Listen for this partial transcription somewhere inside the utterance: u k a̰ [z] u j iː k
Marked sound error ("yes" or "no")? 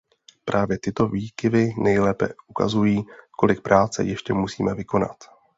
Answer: no